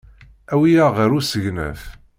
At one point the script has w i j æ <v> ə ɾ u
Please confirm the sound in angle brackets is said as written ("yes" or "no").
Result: no